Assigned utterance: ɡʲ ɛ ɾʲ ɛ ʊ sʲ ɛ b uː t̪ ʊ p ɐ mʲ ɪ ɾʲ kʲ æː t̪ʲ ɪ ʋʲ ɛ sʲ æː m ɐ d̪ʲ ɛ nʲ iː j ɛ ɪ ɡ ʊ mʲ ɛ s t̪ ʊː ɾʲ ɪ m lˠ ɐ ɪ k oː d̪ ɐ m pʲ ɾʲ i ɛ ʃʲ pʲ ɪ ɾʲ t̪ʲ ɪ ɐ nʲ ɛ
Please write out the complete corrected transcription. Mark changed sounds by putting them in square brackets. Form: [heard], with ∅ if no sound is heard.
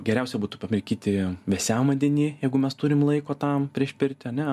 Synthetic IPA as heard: ɡʲ ɛ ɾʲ ɛ ʊ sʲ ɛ b uː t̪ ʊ p ɐ mʲ ɪ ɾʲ kʲ [iː] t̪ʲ ɪ ʋʲ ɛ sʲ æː m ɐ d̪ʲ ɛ nʲ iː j ɛ ɪ ɡ ʊ mʲ ɛ s t̪ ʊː ɾʲ ɪ m lˠ ɐ ɪ k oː [t̪] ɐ m pʲ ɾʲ i ɛ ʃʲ pʲ ɪ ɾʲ t̪ʲ ɪ ɐ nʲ ɛ